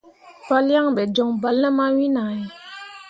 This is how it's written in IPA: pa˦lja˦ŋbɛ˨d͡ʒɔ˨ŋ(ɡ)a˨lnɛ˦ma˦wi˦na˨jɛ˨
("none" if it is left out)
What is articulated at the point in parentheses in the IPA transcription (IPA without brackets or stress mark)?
b